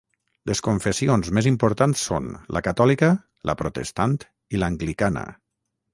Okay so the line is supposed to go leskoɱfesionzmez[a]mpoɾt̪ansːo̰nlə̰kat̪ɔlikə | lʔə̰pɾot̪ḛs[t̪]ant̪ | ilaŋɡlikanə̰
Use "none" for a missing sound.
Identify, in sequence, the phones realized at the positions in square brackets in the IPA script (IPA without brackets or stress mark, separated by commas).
i, t̪